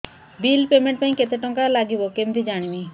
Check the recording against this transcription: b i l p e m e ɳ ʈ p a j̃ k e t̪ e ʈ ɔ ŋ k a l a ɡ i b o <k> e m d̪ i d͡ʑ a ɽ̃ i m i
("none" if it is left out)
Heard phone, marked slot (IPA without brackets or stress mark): k